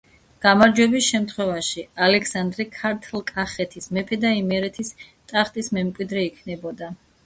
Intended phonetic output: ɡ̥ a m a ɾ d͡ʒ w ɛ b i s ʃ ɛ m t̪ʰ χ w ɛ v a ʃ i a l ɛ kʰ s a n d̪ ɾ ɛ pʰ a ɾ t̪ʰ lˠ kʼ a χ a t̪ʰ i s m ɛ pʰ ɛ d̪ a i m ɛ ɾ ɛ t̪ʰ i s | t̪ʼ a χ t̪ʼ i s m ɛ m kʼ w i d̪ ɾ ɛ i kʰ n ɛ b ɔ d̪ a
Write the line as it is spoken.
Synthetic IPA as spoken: ɡ̥ a m a ɾ d͡ʒ w ɛ b i s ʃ ɛ m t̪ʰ χ w ɛ v a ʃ i a l ɛ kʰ s a n d̪ ɾ ɛ kʰ a ɾ t̪ʰ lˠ kʼ a χ ɛ t̪ʰ i s m ɛ pʰ ɛ d̪ a i m ɛ ɾ ɛ t̪ʰ i s | t̪ʼ a χ t̪ʼ i s m ɛ m kʼ w i d̪ ɾ ɛ i kʰ n ɛ b ɔ d̪ a